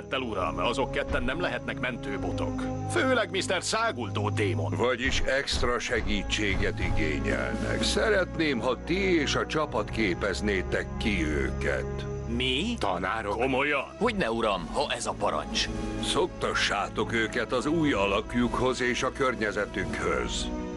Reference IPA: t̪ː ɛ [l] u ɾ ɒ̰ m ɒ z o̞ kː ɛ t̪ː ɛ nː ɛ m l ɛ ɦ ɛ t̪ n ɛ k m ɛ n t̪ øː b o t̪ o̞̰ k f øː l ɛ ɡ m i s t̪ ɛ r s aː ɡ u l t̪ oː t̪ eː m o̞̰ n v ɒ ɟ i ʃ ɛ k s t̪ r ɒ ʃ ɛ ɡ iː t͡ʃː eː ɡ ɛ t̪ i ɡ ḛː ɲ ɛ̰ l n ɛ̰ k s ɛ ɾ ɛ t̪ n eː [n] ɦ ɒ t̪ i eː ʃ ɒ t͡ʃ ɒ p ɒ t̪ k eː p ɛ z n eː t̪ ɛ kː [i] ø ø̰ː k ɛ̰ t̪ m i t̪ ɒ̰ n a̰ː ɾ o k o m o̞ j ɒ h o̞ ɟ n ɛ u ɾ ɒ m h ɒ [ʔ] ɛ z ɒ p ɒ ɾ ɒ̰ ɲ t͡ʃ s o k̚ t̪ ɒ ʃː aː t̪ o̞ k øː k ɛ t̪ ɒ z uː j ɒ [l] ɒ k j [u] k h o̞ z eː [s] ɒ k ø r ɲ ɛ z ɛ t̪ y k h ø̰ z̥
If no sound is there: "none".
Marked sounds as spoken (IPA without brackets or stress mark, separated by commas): l, m, i, ʔ, l, u, ʃ